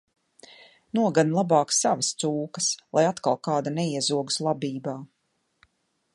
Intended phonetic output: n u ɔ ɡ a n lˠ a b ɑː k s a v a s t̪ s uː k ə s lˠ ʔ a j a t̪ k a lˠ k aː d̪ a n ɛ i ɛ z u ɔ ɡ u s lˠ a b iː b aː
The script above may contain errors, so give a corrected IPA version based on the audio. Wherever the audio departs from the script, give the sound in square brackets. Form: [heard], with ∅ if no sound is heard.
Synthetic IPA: n u ɔ ɡ a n lˠ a b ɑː k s a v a s t̪ s uː k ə s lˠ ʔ a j a t̪ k a lˠ k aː d̪ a n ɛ i ɛ z u ɔ ɡ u s lˠ a b iː b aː